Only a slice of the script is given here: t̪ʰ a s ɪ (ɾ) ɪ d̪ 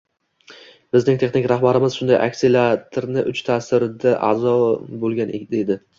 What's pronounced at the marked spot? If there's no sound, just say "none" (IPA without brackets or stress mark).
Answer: ɾ